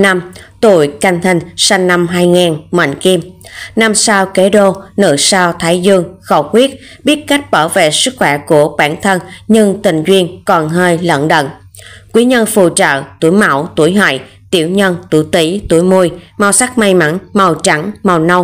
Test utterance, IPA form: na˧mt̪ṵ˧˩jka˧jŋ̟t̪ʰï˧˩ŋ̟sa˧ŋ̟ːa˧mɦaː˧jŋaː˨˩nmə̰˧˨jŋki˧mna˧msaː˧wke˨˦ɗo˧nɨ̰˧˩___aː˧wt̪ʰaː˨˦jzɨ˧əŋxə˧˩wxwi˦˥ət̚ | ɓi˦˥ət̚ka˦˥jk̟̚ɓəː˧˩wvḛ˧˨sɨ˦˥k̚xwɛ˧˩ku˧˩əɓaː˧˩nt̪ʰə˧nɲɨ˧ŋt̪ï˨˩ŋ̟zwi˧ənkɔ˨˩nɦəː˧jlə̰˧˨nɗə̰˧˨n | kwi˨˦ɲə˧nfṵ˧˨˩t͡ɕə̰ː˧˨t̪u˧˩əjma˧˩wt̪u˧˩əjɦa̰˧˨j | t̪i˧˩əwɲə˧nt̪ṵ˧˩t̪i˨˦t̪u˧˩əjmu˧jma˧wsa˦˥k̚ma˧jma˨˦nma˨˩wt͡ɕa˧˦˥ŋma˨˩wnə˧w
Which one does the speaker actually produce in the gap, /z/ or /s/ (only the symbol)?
s